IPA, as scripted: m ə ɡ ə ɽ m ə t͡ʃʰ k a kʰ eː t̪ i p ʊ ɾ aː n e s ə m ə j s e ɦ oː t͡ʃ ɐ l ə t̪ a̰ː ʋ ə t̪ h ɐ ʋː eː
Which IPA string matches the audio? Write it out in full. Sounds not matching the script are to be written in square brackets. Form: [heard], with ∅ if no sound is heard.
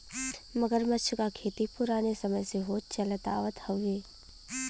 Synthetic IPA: m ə ɡ ə [ɾ] m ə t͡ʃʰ k a kʰ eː t̪ i p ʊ ɾ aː n e s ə m ə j s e ɦ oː t͡ʃ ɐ l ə t̪ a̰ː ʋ ə t̪ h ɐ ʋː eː